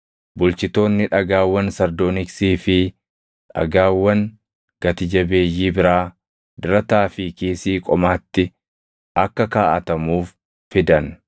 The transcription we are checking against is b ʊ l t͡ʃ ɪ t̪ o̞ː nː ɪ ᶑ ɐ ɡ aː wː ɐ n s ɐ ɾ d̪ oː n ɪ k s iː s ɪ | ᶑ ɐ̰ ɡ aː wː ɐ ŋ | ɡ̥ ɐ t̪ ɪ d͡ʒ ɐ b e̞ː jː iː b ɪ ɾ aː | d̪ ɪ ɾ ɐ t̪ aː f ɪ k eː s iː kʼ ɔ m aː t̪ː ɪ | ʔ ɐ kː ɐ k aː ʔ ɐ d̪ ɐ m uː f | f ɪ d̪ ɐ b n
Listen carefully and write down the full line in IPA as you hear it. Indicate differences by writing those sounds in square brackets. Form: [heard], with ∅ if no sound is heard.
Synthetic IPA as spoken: b ʊ l t͡ʃ ɪ t̪ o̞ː nː ɪ ᶑ ɐ ɡ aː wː ɐ n s ɐ ɾ d̪ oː n ɪ k s iː [f] ɪ | ᶑ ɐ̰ ɡ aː wː ɐ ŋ | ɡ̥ ɐ t̪ ɪ d͡ʒ ɐ b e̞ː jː iː b ɪ ɾ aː | d̪ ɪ ɾ ɐ t̪ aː f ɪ k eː s iː kʼ ɔ m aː t̪ː ɪ | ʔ ɐ kː ɐ k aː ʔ ɐ [t̪] ɐ m uː f | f ɪ d̪ ɐ [∅] n